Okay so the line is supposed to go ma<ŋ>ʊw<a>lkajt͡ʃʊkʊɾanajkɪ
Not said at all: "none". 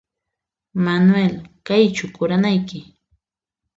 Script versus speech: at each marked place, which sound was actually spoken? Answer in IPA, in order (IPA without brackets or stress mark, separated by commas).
n, e